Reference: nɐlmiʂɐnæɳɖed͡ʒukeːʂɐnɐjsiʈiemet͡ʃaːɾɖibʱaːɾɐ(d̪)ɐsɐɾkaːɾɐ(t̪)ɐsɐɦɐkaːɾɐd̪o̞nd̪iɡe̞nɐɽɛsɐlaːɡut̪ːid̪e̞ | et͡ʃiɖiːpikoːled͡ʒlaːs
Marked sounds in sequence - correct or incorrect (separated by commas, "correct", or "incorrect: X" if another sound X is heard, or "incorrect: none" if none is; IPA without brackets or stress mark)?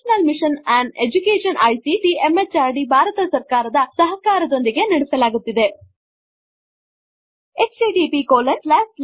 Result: incorrect: t̪, incorrect: d̪